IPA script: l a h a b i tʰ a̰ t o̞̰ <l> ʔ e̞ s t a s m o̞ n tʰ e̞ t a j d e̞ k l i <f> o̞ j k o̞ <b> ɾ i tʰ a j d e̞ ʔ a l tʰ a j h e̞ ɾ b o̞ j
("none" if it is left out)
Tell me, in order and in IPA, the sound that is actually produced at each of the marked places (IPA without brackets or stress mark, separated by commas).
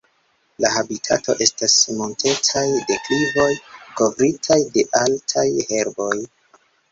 none, v, v